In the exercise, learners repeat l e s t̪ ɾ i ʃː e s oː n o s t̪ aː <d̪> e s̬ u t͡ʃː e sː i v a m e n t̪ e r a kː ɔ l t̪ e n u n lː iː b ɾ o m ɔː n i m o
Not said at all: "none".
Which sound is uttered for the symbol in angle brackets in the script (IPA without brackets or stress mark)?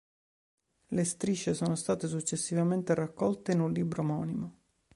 t̪